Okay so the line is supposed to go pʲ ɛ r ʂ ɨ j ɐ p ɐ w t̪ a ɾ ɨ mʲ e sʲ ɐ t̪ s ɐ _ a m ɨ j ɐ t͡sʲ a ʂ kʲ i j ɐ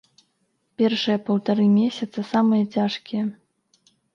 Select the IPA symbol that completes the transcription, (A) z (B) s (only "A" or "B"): B